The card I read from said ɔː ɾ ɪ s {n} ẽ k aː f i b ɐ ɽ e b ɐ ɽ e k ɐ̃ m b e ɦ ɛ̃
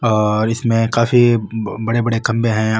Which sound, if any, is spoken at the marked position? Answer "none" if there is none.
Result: m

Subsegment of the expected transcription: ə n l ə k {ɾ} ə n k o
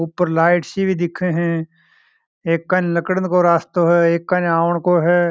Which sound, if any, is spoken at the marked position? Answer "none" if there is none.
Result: ɽ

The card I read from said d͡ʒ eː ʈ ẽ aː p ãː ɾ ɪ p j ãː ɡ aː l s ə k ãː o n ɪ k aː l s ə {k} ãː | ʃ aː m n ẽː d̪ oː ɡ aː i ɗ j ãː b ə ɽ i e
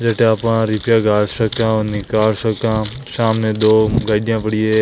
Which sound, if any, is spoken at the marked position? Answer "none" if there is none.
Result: k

